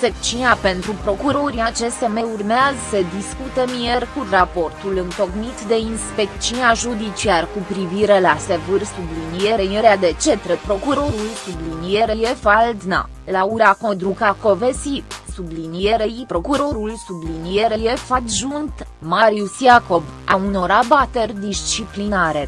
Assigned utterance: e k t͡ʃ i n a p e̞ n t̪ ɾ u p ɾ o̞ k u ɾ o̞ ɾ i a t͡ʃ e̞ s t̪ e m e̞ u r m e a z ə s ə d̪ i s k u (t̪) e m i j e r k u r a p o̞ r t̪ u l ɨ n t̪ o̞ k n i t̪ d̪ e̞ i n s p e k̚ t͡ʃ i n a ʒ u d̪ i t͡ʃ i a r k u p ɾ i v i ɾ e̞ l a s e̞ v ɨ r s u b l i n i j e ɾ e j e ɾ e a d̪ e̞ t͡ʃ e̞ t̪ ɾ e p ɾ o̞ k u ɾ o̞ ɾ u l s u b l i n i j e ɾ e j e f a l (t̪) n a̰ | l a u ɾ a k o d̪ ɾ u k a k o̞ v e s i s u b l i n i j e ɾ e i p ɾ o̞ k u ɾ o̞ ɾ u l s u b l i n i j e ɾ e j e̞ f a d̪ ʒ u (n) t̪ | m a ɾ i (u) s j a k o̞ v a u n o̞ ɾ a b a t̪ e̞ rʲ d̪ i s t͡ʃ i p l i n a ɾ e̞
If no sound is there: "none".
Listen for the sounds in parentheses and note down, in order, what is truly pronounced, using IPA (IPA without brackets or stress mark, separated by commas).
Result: t̪, d̪, n, u